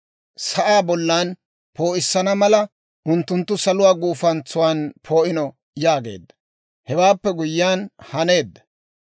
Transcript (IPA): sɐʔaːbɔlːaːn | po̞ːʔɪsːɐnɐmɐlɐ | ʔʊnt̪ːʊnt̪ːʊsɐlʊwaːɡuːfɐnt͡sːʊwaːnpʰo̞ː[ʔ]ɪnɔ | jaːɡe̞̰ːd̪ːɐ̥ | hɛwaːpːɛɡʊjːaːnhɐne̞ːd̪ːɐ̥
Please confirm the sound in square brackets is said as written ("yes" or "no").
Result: yes